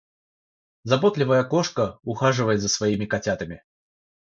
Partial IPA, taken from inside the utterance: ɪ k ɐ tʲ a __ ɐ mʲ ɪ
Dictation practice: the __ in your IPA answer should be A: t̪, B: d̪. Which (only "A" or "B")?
A